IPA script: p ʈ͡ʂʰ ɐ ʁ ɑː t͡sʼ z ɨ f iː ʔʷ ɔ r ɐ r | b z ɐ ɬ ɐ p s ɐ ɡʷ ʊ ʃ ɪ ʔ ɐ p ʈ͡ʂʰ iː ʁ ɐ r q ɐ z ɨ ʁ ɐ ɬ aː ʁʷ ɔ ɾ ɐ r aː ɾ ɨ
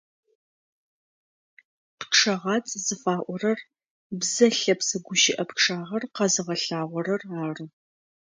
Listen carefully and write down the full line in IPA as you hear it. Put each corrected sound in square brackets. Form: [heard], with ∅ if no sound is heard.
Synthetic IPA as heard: p ʈ͡ʂʰ ɐ ʁ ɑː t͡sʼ z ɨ f [aː] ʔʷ ɔ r ɐ r | b z ɐ ɬ ɐ p s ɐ ɡʷ ʊ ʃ ɪ ʔ ɐ p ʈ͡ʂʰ [aː] ʁ ɐ r q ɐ z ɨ ʁ ɐ ɬ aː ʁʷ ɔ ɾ ɐ r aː [r] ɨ